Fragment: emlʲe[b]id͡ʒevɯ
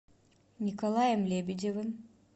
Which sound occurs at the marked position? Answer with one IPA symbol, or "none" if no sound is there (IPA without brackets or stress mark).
b